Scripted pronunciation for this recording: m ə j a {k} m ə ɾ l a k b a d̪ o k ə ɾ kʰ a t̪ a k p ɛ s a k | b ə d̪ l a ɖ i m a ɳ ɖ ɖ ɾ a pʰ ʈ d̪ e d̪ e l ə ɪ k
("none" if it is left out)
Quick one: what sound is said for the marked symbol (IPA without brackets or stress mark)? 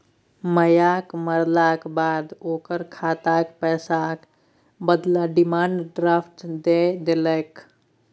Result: k